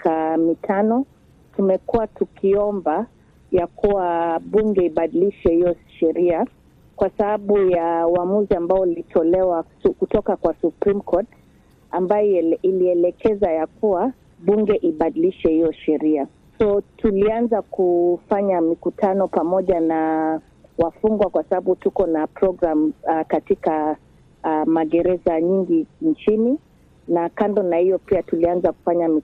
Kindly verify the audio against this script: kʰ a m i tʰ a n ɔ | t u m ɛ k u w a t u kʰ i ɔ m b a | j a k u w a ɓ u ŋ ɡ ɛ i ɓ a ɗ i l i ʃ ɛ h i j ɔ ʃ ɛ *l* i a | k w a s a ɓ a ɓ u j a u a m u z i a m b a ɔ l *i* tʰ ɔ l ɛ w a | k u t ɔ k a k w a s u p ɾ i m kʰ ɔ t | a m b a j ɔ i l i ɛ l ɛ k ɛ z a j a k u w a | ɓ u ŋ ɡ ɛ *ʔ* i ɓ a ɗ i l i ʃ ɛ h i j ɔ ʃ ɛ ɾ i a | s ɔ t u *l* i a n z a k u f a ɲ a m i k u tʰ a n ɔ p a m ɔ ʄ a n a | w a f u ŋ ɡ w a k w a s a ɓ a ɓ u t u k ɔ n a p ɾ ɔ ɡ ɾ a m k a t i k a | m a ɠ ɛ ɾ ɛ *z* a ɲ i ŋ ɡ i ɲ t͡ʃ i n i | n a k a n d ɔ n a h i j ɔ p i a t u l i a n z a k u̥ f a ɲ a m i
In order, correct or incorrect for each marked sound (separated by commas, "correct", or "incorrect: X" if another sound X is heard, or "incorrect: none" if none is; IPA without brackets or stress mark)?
incorrect: ɾ, correct, correct, correct, correct